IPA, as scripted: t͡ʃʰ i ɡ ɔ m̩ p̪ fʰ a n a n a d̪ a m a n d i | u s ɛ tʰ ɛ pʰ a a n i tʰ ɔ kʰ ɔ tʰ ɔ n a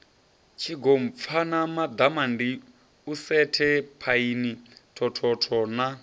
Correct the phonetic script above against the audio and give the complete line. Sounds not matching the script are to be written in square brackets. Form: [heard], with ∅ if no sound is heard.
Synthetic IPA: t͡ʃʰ i ɡ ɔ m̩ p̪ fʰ a n a [m] a d̪ a m a n d i | u s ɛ tʰ ɛ pʰ a [i] n i tʰ ɔ [tʰ] ɔ tʰ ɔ n a